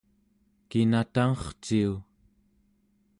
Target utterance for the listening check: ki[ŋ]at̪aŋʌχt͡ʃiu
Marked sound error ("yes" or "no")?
yes